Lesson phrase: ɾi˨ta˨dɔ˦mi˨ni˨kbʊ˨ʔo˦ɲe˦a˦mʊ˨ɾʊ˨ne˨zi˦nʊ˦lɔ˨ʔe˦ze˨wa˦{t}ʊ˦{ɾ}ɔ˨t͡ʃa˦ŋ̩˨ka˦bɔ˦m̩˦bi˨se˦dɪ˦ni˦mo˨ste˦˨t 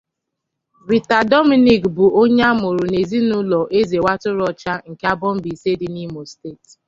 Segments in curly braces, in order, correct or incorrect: correct, correct

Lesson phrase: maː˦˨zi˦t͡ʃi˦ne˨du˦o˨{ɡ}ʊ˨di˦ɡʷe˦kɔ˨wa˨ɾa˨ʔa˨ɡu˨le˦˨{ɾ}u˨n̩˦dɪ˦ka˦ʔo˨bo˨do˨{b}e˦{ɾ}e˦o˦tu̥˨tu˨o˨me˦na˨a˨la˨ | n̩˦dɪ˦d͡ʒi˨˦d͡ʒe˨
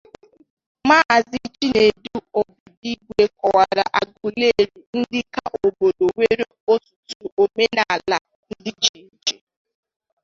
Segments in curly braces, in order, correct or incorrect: incorrect, correct, incorrect, correct

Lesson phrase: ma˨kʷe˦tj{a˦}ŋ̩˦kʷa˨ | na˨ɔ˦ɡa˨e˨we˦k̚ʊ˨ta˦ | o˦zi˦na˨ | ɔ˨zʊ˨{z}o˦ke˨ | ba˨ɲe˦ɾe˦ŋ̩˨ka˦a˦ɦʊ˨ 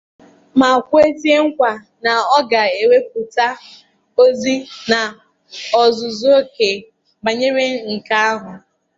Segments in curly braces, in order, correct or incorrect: incorrect, correct

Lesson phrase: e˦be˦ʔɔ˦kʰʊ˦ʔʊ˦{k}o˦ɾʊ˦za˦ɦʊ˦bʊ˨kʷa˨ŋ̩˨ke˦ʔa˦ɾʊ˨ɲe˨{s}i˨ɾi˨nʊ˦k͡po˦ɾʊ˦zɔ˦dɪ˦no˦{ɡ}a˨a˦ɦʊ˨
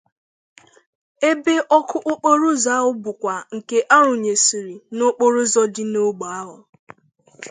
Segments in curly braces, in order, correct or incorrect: incorrect, correct, incorrect

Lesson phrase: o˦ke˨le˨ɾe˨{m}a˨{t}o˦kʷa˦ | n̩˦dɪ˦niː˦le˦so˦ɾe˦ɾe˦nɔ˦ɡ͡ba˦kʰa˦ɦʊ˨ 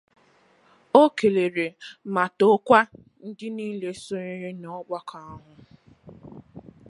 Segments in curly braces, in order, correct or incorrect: correct, correct

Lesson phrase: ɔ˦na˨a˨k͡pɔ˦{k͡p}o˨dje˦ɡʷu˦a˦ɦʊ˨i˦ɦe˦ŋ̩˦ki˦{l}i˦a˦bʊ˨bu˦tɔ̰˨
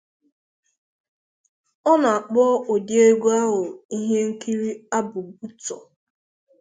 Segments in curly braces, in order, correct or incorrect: incorrect, incorrect

